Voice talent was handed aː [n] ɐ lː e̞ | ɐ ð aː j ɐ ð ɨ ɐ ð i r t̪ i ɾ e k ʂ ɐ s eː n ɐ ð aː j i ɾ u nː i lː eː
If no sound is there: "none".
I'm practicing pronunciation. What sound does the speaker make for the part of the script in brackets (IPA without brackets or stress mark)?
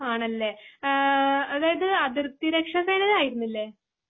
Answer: ɳ